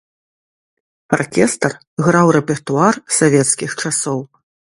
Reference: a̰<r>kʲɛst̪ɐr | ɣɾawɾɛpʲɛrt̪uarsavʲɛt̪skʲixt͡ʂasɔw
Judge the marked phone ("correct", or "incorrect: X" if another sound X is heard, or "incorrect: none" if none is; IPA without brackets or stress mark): correct